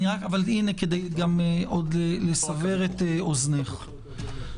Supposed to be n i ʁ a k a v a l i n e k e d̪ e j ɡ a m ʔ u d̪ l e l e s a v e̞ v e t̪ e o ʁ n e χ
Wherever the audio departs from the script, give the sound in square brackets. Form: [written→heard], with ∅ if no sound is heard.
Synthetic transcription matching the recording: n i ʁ a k a v a l i n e k e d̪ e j ɡ a m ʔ [u→o] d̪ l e l e s a v e̞ [v→ʁ] e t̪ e o [ʁ→z] n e χ

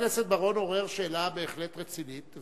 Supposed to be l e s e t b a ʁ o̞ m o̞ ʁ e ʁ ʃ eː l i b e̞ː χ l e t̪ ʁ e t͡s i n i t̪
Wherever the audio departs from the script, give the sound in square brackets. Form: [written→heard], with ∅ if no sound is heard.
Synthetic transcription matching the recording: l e s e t b a ʁ o̞ [m→n] o̞ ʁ e ʁ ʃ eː l [i→a] b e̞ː χ l e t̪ ʁ e t͡s i n i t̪

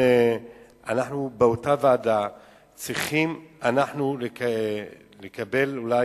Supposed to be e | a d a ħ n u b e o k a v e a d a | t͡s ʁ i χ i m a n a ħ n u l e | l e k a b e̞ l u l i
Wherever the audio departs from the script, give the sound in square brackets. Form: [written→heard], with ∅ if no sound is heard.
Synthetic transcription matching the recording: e | a [d→n] a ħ n u b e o [k→t] a v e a d a | t͡s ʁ i χ i m a n a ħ n u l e | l e k a b e̞ l u l [i→a]

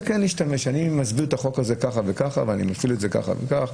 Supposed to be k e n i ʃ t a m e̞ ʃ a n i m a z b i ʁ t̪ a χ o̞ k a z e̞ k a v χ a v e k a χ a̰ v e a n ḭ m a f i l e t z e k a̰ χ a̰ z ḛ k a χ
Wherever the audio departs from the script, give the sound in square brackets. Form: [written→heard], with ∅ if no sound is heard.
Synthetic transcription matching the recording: k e n i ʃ t a m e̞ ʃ a n i m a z b i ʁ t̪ a χ o̞ k a z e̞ k a [v→∅] χ a v e k a χ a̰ v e a n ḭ m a f i l e t z e k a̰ χ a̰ [z→v] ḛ k a χ

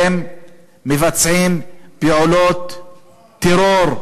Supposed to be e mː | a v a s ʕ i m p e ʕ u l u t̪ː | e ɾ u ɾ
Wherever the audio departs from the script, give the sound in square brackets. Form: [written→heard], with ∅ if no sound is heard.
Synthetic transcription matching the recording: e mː | [a→e] v a [s→t͡s] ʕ i m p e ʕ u l [u→o] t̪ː | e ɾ [u→o] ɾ

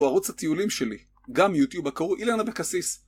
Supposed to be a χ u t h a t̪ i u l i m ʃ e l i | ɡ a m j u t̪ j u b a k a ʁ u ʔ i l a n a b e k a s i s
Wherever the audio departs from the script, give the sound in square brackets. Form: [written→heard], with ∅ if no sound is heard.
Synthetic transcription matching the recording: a [χ→ʁ] u [t→t͡s] h a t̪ i u l i m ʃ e l i | ɡ a m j u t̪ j u b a k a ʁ u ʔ i l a n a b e k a s i s

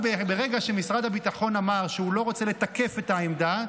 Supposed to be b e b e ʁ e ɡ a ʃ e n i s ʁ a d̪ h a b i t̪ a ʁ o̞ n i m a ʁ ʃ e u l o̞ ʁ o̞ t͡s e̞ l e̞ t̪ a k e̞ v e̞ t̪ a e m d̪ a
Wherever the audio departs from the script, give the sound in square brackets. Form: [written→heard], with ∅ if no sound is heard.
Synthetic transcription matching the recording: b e b e ʁ e ɡ a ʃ e [n→m] i s ʁ a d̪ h a b i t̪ a [ʁ→χ] o̞ n [i→a] m a ʁ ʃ e u l o̞ ʁ o̞ t͡s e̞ l e̞ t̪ a k e̞ [v→f] e̞ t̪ a e m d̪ a

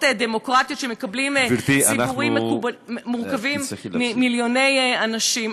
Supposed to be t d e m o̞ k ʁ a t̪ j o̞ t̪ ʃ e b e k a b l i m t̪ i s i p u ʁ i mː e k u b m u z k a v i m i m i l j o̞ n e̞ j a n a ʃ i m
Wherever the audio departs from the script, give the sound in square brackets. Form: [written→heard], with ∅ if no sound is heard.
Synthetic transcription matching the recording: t d e m o̞ k ʁ a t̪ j o̞ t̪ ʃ e [b→m] e k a b l i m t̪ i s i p u ʁ i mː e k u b m u [z→ʁ] k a v i m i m i l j o̞ n e̞ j a n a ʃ i m

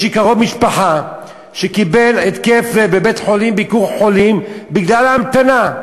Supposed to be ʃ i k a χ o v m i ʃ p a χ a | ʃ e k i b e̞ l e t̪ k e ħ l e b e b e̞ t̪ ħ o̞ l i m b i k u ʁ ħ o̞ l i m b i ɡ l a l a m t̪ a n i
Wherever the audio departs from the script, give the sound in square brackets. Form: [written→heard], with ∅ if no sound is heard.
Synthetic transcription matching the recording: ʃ i k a [χ→ʁ] o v m i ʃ p a [χ→ħ] a | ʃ e k i b e̞ l e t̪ k e [ħ→f] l e b e b e̞ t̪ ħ o̞ l i m b i k u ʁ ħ o̞ l i m b i ɡ l a l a m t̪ a n [i→a]

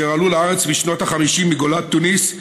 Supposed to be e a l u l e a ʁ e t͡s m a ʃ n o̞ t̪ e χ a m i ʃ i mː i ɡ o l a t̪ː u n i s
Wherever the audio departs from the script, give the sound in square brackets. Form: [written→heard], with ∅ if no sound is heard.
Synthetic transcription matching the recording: e a l u l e a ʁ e t͡s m [a→i] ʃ n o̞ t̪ [e→a] χ a m i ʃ i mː i ɡ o l a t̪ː u n i s

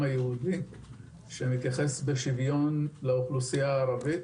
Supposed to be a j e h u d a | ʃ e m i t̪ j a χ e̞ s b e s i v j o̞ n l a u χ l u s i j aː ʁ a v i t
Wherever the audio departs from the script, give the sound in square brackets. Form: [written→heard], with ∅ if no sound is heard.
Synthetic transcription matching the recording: a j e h u d [a→i] | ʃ e m i t̪ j a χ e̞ s b e [s→ʃ] i v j o̞ n l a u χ l u s i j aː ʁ a v i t

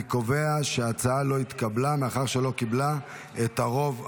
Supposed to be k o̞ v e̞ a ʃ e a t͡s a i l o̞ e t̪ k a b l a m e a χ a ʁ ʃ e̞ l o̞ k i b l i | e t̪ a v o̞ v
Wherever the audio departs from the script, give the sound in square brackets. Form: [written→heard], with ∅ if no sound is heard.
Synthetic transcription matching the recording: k o̞ v e̞ a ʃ e a t͡s a [i→a] l o̞ [e→i] t̪ k a b l a m e a χ a ʁ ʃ e̞ l o̞ k i b l [i→a] | e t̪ a [v→ʁ] o̞ v

